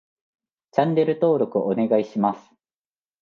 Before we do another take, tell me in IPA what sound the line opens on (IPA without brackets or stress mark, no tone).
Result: t͡ɕ